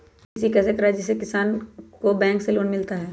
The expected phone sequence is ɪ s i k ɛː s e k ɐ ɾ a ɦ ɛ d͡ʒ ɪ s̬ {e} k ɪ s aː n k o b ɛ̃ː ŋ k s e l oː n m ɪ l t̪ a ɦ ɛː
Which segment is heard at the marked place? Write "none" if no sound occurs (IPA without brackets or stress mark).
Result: e